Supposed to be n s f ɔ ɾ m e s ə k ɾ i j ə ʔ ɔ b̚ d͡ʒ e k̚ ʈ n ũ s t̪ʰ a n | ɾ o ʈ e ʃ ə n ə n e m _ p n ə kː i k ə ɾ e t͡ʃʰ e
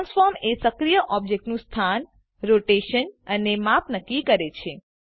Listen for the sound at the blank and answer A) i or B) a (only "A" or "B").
B